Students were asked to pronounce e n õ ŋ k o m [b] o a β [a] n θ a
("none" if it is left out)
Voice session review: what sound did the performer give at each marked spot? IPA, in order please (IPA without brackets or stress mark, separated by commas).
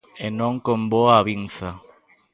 b, i